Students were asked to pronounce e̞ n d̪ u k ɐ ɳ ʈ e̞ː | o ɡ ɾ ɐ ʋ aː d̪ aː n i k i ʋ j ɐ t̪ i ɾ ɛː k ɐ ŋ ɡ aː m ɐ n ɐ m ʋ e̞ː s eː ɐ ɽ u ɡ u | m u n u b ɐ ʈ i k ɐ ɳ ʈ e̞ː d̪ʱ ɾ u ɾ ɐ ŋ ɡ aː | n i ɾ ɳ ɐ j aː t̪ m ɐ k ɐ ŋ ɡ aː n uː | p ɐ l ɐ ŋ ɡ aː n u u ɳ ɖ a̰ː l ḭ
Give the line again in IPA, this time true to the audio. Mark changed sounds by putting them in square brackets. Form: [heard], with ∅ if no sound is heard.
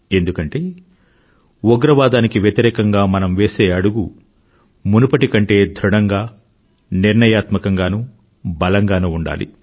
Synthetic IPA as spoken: e̞ n d̪ u k ɐ ɳ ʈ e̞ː | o ɡ ɾ ɐ ʋ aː d̪ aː n i k i ʋ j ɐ t̪ i ɾ ɛː k ɐ ŋ ɡ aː m ɐ n ɐ m ʋ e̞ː s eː ɐ ɽ u ɡ u | m u n u [p] ɐ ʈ i k ɐ ɳ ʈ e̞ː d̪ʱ ɾ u [ɽ] ɐ ŋ ɡ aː | n i ɾ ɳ ɐ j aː t̪ m ɐ k ɐ ŋ ɡ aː n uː | [b] ɐ l ɐ ŋ ɡ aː n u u ɳ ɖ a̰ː l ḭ

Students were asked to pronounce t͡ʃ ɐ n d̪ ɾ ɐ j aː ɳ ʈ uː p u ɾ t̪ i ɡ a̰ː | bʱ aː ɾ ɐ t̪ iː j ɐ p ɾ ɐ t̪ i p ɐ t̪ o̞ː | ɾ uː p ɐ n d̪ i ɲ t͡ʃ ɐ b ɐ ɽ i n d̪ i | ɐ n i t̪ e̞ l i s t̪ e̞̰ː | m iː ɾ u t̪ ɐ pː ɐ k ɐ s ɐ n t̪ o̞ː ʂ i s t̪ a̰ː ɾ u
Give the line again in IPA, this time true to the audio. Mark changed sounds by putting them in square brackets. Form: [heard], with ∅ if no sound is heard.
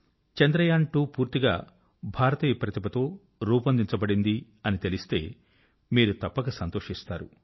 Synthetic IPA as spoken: t͡ʃ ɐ n d̪ ɾ ɐ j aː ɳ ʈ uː p [uː] ɾ t̪ i ɡ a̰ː | bʱ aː ɾ ɐ t̪ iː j ɐ p ɾ ɐ t̪ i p ɐ t̪ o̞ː | ɾ uː p ɐ n d̪ i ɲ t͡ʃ ɐ b ɐ ɽ i n d̪ i | ɐ n i t̪ e̞ l i s t̪ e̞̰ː | m iː ɾ u t̪ ɐ pː ɐ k ɐ s ɐ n t̪ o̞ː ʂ i s t̪ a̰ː ɾ u

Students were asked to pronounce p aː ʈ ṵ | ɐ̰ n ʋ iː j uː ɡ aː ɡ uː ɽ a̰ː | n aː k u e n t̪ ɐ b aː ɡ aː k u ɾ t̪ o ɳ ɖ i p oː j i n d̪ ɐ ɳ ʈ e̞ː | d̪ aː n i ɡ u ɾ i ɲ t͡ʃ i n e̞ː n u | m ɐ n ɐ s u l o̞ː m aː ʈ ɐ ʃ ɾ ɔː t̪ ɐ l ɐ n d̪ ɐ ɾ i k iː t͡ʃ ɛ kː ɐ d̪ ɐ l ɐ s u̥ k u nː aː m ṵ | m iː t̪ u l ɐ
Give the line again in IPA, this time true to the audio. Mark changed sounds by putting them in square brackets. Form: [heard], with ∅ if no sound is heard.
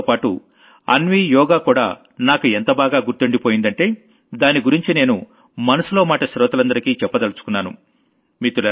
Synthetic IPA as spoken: p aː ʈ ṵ | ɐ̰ n ʋ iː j [ɔː] ɡ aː [k] uː ɽ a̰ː | n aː k u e n t̪ ɐ b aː ɡ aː [ɡ] u ɾ t̪ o ɳ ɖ i p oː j i n d̪ ɐ ɳ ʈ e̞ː | d̪ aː n i ɡ u ɾ i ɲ t͡ʃ i n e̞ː n u | m ɐ n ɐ s u l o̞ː m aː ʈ ɐ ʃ ɾ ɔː t̪ ɐ l ɐ n d̪ ɐ ɾ i k iː t͡ʃ ɛ [pː] ɐ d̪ ɐ l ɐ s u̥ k u nː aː [n] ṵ | m iː t̪ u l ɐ

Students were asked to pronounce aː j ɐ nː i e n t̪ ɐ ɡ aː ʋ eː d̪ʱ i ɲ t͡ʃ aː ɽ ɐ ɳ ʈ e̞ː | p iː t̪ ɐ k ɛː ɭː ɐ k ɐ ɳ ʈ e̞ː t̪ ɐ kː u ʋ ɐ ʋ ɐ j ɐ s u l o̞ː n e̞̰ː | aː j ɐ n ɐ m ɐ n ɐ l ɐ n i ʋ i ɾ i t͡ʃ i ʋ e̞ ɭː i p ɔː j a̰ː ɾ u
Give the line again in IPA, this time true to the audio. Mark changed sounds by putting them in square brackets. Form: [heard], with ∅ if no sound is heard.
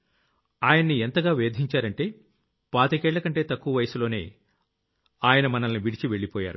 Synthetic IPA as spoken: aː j ɐ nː i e n t̪ ɐ ɡ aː ʋ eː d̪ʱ i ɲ t͡ʃ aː [ɾ] ɐ ɳ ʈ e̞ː | p [aː] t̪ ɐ k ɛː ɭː ɐ k ɐ ɳ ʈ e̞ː t̪ ɐ kː u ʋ ɐ ʋ ɐ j ɐ s u l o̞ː n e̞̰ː | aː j ɐ n ɐ m ɐ n ɐ l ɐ n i ʋ i [ɽ] i t͡ʃ i ʋ e̞ ɭː i p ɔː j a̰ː ɾ u

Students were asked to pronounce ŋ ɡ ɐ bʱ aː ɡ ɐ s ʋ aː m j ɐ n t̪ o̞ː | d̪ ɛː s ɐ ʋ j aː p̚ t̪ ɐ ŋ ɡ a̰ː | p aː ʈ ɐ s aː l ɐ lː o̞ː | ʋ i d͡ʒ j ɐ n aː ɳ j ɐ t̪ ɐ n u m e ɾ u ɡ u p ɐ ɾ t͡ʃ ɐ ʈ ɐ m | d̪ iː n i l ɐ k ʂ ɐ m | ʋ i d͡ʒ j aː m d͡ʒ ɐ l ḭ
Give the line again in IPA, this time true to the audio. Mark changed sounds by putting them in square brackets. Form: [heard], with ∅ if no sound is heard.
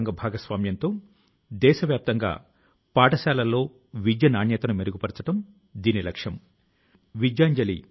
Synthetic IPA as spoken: ŋ ɡ ɐ bʱ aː ɡ ɐ s ʋ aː m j ɐ n t̪ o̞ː | d̪ ɛː [ʃ] ɐ ʋ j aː p̚ t̪ ɐ ŋ ɡ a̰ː | p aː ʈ ɐ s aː l ɐ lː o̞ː | ʋ i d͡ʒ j ɐ n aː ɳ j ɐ t̪ ɐ n u m e ɾ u ɡ u p ɐ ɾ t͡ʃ ɐ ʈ ɐ m | d̪ iː n i l ɐ k ʂ ɐ m | ʋ i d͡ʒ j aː [ɲ] d͡ʒ ɐ l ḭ

